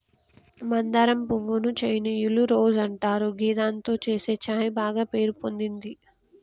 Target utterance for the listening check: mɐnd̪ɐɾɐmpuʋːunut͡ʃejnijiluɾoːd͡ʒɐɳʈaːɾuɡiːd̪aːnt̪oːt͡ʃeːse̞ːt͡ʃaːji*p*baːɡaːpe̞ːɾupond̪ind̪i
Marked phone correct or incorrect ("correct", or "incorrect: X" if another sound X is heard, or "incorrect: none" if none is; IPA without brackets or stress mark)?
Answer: incorrect: none